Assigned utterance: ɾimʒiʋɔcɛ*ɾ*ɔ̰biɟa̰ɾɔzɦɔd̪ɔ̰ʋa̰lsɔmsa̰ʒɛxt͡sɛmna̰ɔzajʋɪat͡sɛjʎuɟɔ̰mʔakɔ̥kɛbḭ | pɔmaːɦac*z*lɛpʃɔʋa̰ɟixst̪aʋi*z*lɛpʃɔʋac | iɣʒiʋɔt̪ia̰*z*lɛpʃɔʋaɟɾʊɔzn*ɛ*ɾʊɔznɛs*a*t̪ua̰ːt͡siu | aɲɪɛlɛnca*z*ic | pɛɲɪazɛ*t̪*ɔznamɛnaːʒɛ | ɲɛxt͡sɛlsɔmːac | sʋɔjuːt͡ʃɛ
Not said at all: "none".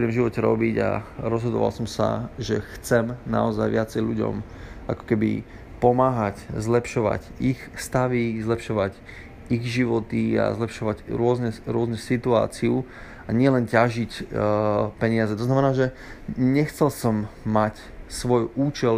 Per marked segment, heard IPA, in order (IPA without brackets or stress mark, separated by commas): ɾ, z, z, z, ɛ, i, ʒ, t̪